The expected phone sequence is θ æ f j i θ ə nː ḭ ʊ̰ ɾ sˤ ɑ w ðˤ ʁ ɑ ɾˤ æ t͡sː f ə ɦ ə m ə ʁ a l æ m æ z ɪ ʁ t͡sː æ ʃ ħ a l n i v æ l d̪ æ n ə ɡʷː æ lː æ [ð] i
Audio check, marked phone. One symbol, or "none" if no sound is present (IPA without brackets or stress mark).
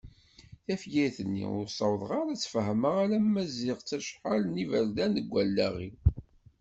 ʁ